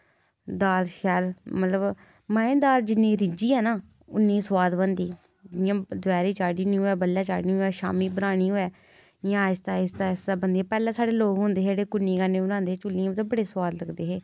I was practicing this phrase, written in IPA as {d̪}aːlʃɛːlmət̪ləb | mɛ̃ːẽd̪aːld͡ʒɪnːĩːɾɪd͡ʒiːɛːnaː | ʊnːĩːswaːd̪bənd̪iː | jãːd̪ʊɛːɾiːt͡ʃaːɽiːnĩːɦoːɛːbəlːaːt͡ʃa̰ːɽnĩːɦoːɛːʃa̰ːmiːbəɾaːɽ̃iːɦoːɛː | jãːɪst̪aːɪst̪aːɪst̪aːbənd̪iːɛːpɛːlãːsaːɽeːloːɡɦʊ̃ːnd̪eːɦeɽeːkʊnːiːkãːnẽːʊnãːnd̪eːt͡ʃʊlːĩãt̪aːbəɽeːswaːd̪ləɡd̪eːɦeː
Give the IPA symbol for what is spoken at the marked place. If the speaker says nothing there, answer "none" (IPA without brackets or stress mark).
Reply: d̪